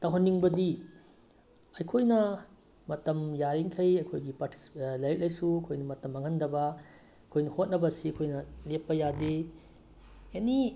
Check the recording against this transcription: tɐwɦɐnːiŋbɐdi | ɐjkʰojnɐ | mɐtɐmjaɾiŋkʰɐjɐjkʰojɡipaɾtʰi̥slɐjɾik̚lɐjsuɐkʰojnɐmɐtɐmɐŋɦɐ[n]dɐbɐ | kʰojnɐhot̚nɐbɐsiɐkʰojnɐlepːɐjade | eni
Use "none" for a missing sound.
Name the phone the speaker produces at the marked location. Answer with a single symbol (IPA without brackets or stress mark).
n